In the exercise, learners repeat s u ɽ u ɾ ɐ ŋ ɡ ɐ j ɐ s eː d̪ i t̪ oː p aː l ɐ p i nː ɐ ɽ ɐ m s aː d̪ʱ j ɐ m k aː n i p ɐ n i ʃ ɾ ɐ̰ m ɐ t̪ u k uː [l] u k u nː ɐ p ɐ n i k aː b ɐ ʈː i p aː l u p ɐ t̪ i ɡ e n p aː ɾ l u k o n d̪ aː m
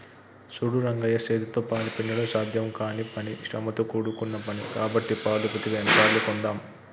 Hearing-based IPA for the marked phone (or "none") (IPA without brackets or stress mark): ɽ